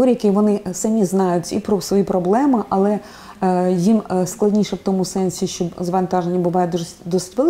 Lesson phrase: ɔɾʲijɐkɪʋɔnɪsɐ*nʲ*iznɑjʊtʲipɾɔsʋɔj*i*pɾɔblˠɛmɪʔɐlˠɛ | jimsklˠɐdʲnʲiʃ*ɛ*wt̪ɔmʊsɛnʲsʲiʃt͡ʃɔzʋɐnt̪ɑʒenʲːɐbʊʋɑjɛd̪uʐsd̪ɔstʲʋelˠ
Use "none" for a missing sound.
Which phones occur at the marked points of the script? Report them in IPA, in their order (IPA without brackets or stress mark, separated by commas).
mʲ, i, ɛ